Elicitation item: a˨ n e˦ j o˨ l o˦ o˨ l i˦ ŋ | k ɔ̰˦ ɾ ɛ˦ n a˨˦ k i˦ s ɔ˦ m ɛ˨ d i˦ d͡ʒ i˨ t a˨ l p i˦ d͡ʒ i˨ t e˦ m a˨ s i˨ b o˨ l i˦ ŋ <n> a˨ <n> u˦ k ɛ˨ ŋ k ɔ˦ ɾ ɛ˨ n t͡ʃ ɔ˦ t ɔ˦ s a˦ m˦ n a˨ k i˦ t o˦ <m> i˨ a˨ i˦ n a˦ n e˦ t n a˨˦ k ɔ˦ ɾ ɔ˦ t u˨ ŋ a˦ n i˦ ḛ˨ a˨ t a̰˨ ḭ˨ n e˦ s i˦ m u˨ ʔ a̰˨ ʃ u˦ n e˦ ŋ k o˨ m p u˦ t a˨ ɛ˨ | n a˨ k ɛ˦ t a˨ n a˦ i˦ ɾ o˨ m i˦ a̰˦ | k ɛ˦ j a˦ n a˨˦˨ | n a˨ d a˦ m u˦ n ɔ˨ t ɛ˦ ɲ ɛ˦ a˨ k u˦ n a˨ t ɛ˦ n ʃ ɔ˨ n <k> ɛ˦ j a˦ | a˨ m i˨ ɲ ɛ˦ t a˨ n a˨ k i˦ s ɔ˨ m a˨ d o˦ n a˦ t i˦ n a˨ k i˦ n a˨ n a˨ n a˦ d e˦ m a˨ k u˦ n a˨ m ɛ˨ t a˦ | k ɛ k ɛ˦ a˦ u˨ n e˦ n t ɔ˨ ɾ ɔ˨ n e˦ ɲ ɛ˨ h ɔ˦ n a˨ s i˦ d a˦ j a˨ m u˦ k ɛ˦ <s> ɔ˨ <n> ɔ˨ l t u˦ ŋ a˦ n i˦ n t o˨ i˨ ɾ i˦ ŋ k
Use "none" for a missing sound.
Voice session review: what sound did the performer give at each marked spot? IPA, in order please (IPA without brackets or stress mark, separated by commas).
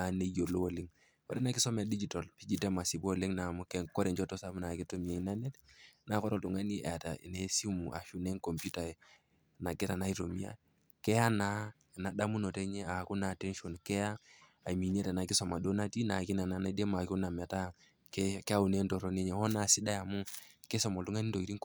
n, m, m, k, s, m